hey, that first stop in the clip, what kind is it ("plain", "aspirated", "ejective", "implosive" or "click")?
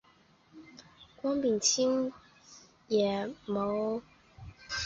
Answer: plain